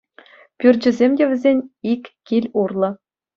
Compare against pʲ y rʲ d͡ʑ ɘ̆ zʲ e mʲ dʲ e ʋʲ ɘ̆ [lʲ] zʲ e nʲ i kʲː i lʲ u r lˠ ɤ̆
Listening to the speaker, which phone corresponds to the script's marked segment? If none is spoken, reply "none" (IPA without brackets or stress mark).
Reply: none